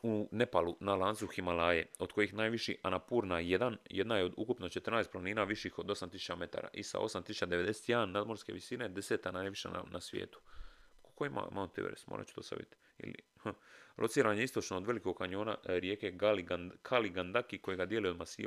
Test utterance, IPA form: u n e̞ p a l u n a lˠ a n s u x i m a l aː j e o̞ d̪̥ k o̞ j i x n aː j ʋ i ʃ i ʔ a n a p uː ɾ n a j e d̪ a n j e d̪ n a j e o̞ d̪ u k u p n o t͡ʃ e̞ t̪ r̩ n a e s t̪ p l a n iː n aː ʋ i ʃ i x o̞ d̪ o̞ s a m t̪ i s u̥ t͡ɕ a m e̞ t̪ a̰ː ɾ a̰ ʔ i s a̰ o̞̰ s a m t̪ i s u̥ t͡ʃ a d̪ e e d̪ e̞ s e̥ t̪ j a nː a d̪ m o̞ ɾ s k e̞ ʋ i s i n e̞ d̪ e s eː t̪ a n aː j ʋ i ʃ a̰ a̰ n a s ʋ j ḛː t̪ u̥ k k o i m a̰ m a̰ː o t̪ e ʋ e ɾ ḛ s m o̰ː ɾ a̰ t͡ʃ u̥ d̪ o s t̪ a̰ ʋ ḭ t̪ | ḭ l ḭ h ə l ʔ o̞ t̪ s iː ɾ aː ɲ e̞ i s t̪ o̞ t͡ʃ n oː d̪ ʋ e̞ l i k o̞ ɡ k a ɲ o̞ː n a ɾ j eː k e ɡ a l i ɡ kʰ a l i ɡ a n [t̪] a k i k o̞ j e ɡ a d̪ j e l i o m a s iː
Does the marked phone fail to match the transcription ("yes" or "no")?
yes